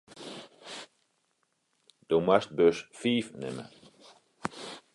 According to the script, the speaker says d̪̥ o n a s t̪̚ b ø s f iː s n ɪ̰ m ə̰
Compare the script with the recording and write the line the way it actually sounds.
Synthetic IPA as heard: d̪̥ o m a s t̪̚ b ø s f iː f n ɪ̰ m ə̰